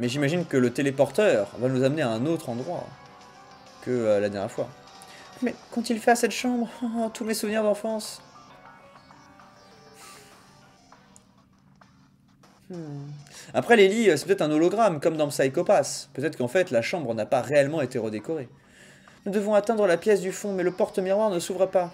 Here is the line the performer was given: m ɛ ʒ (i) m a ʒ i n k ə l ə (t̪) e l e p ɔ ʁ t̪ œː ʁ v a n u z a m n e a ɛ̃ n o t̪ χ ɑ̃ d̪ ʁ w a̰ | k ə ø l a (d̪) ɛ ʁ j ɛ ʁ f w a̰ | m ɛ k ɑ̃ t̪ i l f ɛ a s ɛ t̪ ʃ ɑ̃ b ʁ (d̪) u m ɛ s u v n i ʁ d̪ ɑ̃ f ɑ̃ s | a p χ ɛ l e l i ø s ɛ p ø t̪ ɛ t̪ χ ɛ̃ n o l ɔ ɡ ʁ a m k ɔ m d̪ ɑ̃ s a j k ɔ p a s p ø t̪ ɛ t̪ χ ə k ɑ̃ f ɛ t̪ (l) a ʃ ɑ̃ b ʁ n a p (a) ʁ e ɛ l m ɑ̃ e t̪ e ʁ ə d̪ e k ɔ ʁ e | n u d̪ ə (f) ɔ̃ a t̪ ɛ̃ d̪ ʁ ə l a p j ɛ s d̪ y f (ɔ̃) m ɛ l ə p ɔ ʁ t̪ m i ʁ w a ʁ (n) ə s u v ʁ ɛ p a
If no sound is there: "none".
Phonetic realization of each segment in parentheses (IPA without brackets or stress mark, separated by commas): i, t̪, d̪, t̪, l, a, v, ɔ̃, n